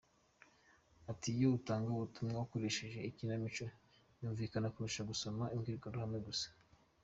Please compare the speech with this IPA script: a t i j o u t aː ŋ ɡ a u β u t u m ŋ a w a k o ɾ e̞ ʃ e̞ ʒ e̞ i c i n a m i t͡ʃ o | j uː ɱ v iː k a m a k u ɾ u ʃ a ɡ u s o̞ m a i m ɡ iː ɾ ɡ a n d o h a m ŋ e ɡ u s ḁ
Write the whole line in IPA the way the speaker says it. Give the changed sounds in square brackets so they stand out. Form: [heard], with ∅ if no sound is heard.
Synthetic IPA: a t i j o u t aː ŋ ɡ a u β u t u m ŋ a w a k o ɾ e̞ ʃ e̞ ʒ e̞ i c i n a m i t͡ʃ o | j uː ɱ v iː k a [n] a k u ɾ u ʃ a ɡ u s o̞ m a i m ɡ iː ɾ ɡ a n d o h a m ŋ e ɡ u s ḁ